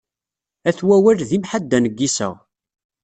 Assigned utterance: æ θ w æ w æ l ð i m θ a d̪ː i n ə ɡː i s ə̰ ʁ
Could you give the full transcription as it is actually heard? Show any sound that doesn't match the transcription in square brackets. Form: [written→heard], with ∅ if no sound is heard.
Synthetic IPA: æ θ w æ w æ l ð i m [θ→ħ] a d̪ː [i→æ] n ə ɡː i s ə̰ ʁ